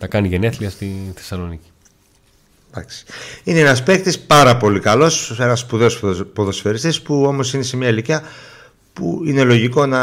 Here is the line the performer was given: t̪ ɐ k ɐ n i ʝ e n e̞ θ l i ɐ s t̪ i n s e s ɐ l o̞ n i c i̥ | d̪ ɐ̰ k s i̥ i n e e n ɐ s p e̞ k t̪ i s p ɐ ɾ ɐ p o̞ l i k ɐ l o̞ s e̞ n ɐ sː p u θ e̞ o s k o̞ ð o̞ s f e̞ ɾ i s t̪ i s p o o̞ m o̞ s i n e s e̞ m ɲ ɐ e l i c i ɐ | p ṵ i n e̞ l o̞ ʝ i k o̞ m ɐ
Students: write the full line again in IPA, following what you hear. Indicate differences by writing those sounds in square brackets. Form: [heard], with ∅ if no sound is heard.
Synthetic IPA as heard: t̪ ɐ k ɐ n i ʝ e n e̞ θ l i ɐ s t̪ i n [θ] e s ɐ l o̞ n i c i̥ | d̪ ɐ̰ k s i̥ i n e e n ɐ s p e̞ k t̪ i s p ɐ ɾ ɐ p o̞ l i k ɐ l o̞ s e̞ n ɐ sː p u [ð] e̞ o s [p] o̞ ð o̞ s f e̞ ɾ i s t̪ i s p [u] o̞ m o̞ s i n e s e̞ m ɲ ɐ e l i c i ɐ | p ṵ i n e̞ l o̞ ʝ i k o̞ [n] ɐ